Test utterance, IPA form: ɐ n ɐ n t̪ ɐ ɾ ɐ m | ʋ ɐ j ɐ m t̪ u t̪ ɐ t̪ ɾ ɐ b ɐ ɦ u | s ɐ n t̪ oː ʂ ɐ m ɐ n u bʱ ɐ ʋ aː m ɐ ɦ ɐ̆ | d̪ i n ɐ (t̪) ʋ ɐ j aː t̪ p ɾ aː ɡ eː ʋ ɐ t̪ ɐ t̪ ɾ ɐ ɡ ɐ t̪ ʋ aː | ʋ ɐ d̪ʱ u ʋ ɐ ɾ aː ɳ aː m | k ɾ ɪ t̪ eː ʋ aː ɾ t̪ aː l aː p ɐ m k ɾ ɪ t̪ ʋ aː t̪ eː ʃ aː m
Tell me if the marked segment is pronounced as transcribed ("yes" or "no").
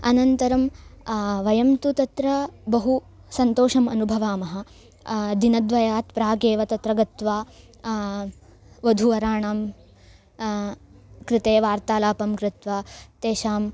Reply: no